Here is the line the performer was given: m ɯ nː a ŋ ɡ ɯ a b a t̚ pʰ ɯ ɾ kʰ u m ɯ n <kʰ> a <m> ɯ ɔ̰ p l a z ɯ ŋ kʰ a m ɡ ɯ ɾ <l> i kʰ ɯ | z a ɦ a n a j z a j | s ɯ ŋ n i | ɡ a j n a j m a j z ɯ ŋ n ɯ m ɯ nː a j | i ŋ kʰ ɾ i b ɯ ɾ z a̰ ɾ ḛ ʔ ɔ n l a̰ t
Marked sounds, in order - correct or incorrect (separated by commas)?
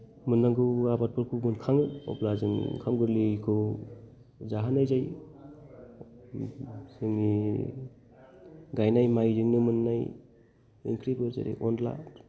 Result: correct, incorrect, correct